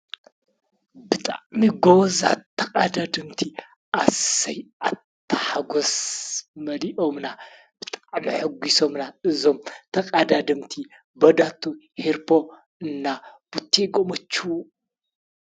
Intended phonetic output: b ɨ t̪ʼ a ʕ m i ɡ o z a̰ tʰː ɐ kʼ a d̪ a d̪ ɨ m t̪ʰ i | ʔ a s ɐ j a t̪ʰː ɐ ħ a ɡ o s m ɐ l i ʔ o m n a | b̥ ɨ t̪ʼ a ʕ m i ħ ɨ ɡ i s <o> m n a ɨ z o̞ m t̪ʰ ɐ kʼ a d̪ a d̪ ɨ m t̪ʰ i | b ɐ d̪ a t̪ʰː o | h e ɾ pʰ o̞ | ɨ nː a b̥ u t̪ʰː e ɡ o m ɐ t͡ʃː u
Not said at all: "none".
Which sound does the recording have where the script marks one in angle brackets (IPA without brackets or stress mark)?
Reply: o